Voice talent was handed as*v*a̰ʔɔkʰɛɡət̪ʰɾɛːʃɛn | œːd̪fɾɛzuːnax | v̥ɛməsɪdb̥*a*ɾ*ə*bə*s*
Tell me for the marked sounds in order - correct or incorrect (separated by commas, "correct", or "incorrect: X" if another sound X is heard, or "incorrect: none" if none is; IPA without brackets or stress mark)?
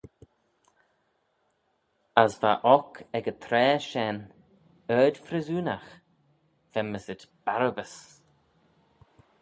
correct, correct, correct, correct